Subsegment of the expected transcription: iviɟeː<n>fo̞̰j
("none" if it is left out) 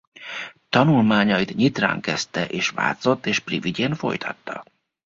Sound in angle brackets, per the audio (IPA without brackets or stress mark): n